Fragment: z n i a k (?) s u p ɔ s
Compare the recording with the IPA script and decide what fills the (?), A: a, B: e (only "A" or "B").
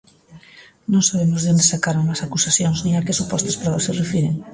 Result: B